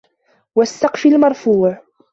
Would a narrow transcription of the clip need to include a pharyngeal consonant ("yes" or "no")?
yes